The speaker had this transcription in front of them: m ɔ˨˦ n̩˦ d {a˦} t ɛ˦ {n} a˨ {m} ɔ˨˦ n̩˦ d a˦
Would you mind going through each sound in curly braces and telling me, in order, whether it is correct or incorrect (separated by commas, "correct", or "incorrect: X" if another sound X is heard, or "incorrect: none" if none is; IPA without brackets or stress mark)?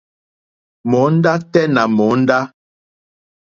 correct, correct, correct